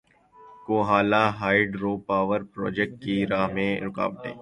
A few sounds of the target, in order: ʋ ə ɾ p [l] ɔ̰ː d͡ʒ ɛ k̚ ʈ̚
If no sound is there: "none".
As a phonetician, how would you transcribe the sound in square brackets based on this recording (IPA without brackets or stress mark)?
ɾ